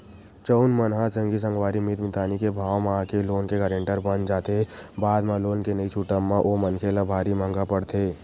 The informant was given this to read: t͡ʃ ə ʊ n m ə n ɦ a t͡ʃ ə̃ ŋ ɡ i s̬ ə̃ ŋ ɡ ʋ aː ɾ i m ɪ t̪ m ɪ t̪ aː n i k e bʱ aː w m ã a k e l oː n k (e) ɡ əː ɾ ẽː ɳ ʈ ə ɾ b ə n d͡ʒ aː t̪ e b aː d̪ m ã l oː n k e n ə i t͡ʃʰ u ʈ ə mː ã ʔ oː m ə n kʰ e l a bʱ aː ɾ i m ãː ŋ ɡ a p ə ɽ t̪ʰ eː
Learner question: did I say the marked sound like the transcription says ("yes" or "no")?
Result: yes